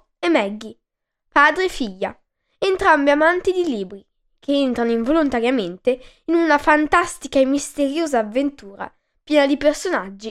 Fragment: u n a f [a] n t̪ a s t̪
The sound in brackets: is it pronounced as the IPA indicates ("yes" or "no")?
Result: yes